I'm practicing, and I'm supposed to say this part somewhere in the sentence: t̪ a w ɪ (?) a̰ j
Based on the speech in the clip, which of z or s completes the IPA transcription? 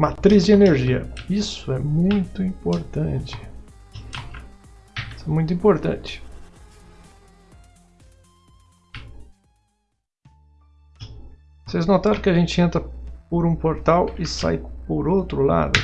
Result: s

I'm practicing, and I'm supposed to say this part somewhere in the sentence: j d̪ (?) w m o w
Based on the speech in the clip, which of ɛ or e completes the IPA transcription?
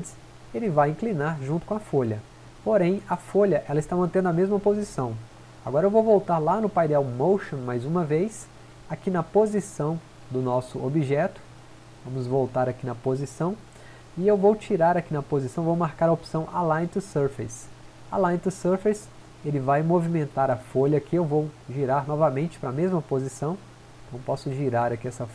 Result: ɛ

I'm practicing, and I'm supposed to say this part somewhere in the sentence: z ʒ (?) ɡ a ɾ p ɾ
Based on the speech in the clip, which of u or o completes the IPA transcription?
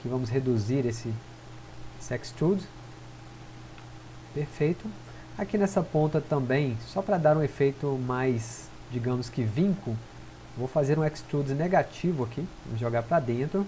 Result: o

